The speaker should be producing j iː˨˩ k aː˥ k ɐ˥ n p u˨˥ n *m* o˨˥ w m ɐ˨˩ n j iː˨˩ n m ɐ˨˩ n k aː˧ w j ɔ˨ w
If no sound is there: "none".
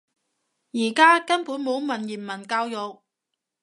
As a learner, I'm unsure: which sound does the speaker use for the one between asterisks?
m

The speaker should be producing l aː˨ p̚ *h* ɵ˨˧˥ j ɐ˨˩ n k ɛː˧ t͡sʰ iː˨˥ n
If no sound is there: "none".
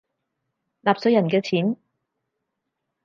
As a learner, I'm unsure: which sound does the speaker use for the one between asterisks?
s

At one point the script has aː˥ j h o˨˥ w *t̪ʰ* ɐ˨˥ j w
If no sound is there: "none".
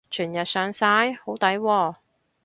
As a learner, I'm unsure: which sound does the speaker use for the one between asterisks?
t̪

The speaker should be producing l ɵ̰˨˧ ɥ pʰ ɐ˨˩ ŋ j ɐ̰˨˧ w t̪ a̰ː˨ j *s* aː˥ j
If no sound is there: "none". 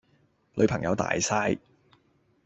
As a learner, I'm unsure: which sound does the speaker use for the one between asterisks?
s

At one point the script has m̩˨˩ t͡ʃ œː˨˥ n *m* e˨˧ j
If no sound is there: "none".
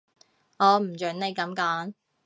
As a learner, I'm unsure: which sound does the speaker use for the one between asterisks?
n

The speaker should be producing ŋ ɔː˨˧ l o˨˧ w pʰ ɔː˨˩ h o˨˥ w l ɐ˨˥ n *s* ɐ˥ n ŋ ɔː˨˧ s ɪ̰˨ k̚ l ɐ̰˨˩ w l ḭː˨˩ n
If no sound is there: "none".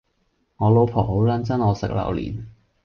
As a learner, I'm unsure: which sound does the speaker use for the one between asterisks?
t͡s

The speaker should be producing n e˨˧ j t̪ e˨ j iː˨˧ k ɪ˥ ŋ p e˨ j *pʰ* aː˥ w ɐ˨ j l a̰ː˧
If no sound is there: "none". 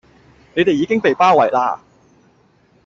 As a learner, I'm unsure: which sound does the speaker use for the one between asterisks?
p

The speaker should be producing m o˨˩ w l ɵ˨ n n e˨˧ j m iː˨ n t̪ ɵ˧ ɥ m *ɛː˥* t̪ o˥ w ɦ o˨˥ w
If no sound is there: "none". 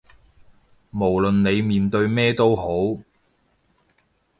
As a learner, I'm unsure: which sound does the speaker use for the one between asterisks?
ɛː˥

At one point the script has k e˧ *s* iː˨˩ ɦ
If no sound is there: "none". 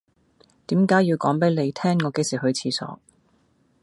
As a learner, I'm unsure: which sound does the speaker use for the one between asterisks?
s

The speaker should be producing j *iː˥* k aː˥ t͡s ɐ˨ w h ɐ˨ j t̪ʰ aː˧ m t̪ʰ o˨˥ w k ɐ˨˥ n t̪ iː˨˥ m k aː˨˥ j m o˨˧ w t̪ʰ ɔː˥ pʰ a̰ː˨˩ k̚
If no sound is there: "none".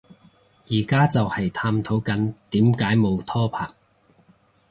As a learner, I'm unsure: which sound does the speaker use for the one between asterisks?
iː˨˩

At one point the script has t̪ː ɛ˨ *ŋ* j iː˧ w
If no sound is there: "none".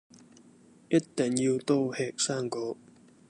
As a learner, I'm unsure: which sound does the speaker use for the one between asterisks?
ŋ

